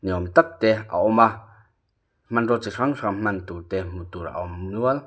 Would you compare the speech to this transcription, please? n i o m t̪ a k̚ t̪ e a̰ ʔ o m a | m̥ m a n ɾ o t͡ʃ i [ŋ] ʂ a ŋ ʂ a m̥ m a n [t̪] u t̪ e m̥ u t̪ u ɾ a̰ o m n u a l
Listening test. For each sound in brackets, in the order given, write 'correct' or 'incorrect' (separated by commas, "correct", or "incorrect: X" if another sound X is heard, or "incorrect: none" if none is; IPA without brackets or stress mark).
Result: incorrect: none, correct